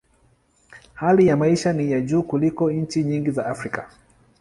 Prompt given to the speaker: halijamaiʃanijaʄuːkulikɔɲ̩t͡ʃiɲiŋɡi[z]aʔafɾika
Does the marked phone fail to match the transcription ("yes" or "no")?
no